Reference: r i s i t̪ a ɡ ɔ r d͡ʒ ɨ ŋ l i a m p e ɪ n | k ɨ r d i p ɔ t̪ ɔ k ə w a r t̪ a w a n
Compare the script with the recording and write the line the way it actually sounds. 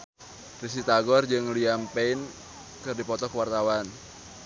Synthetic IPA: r i s i t̪ a ɡ ɔ r d͡ʒ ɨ ŋ l i a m p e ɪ n | k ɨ r d i p ɔ t̪ ɔ k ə w a r t̪ a w a n

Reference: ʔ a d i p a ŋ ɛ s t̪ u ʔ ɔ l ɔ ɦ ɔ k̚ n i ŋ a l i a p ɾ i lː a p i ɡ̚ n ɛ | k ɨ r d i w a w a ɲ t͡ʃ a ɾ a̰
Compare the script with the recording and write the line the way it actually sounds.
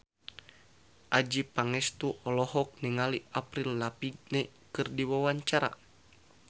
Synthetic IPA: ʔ a d͡ʒ i p a ŋ ɛ s t̪ u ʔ ɔ l ɔ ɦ ɔ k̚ n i ŋ a l i a p ɾ i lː a p i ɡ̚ n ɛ | k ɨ r d i w a w a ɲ t͡ʃ a ɾ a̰

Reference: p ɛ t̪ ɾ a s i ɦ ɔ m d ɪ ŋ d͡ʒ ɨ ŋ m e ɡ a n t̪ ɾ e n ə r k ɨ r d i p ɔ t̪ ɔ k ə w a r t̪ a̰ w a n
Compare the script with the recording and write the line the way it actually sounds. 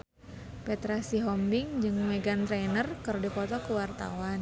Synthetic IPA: p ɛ t̪ ɾ a s i ɦ ɔ m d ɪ ŋ d͡ʒ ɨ ŋ m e ɡ a n t̪ ɾ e n ə r k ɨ r d i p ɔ t̪ ɔ k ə w a r t̪ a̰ w a n

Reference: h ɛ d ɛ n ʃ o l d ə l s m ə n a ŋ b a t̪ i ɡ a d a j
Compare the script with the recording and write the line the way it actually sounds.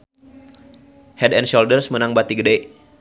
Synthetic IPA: h ɛ d ɛ n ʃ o l d ə r s m ə n a ŋ b a t̪ i ɡ ə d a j

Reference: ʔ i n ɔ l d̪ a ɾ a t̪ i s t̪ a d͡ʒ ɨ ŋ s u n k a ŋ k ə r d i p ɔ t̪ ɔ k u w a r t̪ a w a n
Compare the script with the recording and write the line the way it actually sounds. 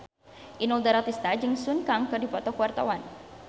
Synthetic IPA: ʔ i n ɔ l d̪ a ɾ a t̪ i s t̪ a d͡ʒ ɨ ŋ s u n k a ŋ k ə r d i p ɔ t̪ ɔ k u w a r t̪ a w a n

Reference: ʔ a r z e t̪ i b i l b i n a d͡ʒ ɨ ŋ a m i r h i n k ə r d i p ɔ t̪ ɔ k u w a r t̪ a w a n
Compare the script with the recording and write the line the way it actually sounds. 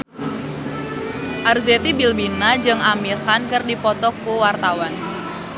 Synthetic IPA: ʔ a r z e t̪ i b i l b i n a d͡ʒ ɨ ŋ a m i r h a n k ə r d i p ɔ t̪ ɔ k u w a r t̪ a w a n

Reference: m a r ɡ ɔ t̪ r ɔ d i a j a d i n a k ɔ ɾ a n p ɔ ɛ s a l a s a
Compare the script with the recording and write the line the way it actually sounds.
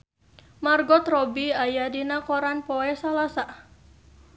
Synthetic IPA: m a r ɡ ɔ t̪ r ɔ b i a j a d i n a k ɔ ɾ a n p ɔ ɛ s a l a s a

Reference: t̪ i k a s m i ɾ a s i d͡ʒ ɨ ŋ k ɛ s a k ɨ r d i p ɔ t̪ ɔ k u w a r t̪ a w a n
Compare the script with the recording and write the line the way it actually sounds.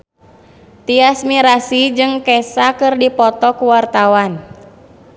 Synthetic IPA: t̪ i a s m i ɾ a s i d͡ʒ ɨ ŋ k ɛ s a k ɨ r d i p ɔ t̪ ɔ k u w a r t̪ a w a n

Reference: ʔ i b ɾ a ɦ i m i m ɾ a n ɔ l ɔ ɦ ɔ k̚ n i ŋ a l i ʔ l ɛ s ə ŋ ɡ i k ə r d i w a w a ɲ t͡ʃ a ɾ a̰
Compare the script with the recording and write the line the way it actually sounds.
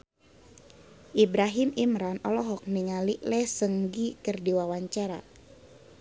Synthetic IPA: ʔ i b ɾ a ɦ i m i m ɾ a n ɔ l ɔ ɦ ɔ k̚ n i ŋ a l i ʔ l ɛ s ə ŋ ɡ i k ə r d i w a w a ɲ t͡ʃ a ɾ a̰

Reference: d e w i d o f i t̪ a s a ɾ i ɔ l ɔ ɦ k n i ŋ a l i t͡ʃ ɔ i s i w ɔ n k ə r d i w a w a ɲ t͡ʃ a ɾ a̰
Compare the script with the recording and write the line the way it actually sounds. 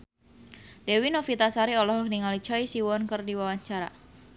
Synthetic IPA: d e w i n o f i t̪ a s a ɾ i ɔ l ɔ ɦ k n i ŋ a l i t͡ʃ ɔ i s i w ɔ n k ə r d i w a w a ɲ t͡ʃ a ɾ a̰

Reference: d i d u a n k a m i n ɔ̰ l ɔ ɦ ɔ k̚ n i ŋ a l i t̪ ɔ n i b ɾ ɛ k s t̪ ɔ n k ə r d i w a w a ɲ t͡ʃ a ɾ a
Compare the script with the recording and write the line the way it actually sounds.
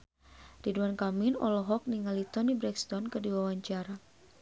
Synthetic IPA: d i d u a n k a m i n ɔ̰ l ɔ ɦ ɔ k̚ n i ŋ a l i t̪ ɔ n i b ɾ ɛ k s t̪ ɔ n k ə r d i w a w a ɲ t͡ʃ a ɾ a

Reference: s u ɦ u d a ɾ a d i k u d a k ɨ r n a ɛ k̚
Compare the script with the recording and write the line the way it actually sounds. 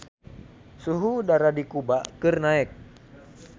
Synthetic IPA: s u ɦ u d a ɾ a d i k u b a k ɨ r n a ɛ k̚

